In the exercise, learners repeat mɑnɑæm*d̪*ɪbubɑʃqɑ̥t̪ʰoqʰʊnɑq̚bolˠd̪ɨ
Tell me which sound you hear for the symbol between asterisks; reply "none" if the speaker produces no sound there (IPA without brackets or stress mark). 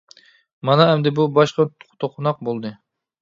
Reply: d̪